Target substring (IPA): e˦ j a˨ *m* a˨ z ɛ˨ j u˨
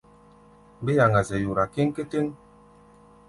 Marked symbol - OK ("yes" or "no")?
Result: no